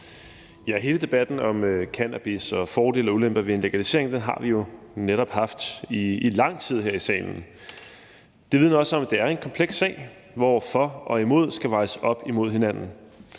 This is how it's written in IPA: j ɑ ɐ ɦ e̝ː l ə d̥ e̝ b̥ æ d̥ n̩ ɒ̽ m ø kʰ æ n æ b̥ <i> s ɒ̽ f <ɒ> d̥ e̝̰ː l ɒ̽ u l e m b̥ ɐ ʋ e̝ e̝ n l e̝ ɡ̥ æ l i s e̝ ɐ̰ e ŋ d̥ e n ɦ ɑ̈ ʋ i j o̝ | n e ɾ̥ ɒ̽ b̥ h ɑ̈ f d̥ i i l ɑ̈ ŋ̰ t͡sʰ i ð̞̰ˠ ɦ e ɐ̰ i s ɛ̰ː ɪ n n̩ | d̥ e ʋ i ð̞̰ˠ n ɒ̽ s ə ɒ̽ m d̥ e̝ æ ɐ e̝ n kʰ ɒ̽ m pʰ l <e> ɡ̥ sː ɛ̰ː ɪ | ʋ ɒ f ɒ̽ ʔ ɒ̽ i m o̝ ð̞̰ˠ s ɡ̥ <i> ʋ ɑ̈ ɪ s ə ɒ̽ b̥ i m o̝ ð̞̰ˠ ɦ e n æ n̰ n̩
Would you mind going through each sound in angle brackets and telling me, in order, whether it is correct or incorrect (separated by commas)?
correct, incorrect, correct, incorrect